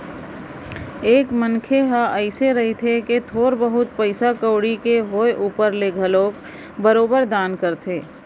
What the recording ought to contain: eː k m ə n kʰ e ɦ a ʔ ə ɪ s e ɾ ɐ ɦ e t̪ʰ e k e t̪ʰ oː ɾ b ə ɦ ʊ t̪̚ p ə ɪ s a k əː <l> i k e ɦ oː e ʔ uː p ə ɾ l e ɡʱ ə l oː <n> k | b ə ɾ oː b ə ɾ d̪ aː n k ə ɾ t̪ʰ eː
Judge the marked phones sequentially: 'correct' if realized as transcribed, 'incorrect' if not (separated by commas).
incorrect, incorrect